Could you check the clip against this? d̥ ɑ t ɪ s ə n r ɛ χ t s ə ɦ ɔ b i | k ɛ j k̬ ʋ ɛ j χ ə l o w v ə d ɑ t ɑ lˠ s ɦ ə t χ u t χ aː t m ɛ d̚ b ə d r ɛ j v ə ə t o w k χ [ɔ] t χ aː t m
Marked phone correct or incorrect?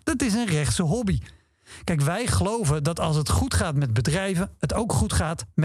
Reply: incorrect